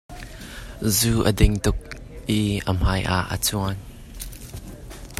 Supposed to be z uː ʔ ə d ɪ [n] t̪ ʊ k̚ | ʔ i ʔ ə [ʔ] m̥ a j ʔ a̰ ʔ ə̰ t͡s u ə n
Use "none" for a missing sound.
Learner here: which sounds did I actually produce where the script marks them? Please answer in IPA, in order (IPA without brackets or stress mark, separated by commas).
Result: ŋ, none